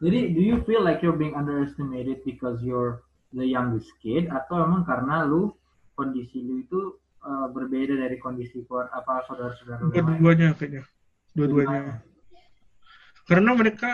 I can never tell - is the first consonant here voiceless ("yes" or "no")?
no